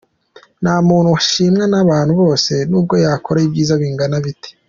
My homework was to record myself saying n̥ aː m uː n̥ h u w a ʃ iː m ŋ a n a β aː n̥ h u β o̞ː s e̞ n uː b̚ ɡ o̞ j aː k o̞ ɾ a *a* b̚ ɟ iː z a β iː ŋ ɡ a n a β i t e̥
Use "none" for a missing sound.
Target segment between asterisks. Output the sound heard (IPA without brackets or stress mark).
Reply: i